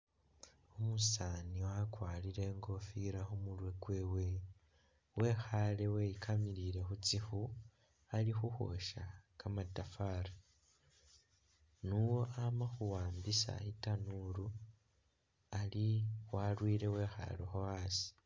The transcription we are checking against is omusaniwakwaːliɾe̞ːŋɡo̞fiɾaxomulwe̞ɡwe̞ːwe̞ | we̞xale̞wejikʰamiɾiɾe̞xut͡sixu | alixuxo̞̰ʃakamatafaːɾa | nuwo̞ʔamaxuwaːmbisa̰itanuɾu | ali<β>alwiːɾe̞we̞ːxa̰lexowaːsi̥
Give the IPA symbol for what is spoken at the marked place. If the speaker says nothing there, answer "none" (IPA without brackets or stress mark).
w